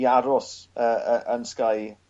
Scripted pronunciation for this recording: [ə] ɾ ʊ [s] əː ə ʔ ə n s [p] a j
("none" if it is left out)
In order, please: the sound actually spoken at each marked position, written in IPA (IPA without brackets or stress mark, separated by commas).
a, s, k